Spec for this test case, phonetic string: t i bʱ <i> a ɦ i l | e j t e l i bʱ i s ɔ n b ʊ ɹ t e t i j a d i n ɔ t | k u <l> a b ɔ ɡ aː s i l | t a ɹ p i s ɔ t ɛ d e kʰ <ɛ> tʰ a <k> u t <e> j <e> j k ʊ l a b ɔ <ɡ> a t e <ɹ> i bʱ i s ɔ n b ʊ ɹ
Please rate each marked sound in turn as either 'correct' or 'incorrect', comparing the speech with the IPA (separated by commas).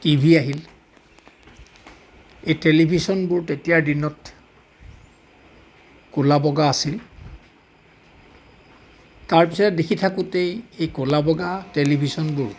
correct, correct, incorrect, correct, correct, correct, correct, incorrect